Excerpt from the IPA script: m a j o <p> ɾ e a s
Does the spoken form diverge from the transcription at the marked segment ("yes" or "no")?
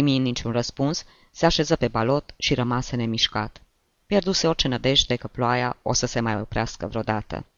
no